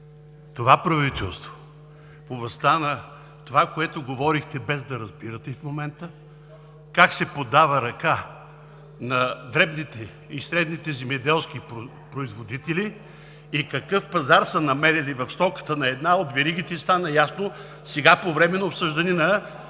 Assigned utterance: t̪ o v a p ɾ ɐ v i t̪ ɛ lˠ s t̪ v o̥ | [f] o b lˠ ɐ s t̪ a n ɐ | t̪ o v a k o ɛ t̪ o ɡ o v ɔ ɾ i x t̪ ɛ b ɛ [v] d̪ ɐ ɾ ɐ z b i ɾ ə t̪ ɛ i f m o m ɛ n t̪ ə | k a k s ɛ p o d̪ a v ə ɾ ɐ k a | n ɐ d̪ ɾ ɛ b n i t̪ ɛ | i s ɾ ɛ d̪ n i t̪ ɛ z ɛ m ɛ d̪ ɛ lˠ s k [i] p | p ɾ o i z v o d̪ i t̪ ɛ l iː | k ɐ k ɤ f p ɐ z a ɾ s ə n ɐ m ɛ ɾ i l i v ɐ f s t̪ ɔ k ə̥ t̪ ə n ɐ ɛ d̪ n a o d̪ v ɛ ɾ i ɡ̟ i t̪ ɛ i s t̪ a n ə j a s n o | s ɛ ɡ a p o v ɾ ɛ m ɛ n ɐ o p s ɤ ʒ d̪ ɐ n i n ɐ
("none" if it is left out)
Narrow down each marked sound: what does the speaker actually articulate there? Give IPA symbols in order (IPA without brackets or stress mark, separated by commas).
f, z, i